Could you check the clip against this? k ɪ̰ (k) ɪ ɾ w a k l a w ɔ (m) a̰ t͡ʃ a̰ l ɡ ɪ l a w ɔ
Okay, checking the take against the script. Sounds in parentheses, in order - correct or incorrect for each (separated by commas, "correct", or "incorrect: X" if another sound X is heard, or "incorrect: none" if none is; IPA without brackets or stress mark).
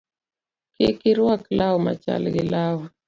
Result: correct, correct